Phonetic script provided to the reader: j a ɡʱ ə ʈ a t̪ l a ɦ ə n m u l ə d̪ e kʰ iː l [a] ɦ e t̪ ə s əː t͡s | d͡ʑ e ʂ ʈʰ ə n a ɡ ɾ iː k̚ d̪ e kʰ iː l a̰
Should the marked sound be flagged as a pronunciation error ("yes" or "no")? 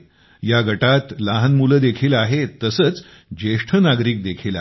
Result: no